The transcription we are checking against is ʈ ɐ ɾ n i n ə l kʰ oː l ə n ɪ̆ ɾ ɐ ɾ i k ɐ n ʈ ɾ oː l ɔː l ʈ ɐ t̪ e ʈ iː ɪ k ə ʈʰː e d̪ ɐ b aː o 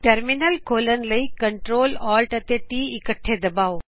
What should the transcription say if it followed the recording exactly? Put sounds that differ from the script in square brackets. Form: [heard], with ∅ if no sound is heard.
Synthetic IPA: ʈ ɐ ɾ [m] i n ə l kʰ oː l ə n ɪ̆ [l] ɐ [∅] i k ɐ [ɳ] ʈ ɾ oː l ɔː l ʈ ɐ t̪ e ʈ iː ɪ k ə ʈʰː e d̪ ɐ b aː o